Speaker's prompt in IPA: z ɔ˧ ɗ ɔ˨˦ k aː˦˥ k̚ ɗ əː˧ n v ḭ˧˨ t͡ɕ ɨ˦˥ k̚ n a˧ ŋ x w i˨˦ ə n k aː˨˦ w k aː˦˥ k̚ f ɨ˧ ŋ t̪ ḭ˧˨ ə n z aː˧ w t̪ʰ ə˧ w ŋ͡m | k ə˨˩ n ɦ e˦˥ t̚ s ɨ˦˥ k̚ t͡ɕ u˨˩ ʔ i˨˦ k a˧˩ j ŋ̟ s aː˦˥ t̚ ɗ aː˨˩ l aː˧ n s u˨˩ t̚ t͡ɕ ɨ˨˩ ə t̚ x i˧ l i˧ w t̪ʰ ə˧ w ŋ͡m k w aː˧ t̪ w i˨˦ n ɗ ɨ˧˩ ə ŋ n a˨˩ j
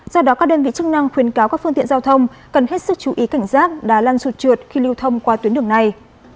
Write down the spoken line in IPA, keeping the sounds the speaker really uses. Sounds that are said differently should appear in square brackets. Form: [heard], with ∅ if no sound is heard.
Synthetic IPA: z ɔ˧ ɗ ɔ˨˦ k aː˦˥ k̚ ɗ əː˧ n v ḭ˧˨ t͡ɕ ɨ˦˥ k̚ n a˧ ŋ x w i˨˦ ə n k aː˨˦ w k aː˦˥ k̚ f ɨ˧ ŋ t̪ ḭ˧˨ ə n z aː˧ w t̪ʰ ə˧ w ŋ͡m | k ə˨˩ n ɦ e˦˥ t̚ s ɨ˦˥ k̚ t͡ɕ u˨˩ ʔ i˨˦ k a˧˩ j ŋ̟ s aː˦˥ t̚ ɗ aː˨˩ l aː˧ n s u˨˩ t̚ t͡ɕ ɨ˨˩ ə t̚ x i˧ l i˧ w t̪ʰ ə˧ w ŋ͡m k w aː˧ t̪ w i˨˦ n ɗ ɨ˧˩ ə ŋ n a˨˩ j